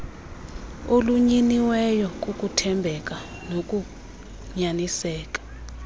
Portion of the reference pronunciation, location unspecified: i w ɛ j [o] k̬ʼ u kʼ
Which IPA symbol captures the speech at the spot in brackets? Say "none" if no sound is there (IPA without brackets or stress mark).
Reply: ɔ